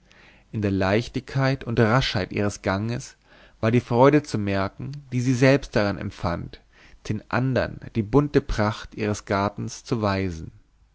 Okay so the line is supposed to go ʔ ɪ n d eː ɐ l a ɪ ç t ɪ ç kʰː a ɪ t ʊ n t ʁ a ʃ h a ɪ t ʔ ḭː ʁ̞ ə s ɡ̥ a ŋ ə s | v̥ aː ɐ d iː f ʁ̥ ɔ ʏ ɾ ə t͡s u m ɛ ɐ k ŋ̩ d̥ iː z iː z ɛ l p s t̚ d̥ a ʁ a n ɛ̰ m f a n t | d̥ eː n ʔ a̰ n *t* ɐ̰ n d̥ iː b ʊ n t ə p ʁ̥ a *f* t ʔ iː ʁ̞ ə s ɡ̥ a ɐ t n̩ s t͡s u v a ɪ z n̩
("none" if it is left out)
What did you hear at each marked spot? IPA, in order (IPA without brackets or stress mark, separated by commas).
d, χ